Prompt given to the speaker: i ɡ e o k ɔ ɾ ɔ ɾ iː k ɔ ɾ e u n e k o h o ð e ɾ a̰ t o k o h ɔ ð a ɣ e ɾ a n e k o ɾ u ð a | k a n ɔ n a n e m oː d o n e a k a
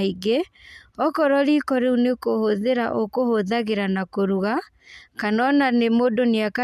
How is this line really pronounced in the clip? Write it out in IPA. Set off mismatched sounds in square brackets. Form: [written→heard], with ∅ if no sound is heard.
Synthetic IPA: i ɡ e [o→ɔ] k ɔ ɾ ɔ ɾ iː k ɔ ɾ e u n e k o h o ð e ɾ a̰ [t→ʔ] o k o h [ɔ→o] ð a ɣ e ɾ a n [e→a] k o ɾ u [ð→ɣ] a | k a n ɔ n a n e m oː d o n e a k a